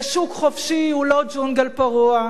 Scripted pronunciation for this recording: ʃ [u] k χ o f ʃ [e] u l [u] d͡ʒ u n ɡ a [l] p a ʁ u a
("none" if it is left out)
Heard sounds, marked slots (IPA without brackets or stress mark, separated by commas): u, i, o, l